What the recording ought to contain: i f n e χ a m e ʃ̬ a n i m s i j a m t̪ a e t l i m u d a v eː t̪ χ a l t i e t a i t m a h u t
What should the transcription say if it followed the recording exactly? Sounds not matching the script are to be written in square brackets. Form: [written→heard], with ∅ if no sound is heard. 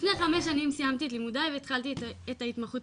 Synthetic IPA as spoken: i f n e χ a m e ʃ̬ a n i m s i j a m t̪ [a→i] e t l i m u d a v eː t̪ χ a l t i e t a i t m a [h→χ] u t